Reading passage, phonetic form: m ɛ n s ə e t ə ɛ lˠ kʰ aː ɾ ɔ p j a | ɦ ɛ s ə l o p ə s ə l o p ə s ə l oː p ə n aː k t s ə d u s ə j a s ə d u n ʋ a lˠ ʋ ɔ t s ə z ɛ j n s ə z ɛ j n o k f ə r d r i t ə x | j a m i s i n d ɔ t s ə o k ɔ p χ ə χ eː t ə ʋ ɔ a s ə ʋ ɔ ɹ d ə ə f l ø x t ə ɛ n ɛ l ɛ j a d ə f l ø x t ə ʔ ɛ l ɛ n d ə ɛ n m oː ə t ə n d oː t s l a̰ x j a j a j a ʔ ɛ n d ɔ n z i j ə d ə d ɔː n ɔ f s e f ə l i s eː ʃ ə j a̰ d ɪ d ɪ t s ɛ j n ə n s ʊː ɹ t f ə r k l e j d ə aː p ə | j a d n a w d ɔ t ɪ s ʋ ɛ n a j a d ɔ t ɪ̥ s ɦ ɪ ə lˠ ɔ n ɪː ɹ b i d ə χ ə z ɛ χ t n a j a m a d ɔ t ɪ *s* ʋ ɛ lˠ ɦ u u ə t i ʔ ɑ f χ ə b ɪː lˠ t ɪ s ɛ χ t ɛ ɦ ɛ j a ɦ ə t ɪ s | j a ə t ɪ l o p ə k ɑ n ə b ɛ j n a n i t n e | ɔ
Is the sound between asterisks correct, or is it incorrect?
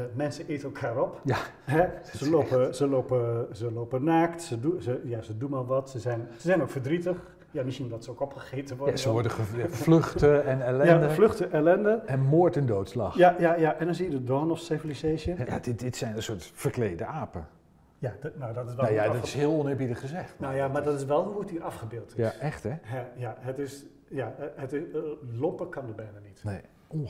correct